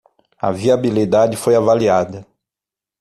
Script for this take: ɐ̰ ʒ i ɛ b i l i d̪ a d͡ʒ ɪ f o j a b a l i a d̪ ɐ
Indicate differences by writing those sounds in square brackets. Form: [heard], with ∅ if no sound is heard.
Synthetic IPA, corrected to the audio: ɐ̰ [v] i [a] b i l i d̪ a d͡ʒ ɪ f o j a [v] a l i a d̪ ɐ